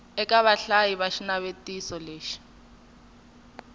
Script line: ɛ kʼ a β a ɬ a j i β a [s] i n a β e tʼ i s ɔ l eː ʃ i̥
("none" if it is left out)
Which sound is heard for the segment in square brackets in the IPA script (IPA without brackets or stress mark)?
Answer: ʃ